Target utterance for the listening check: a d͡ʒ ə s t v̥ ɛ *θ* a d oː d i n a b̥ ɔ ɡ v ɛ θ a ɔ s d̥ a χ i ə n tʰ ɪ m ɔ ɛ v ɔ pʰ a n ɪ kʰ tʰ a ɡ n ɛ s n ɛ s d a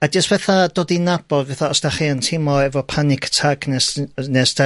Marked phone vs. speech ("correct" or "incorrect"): correct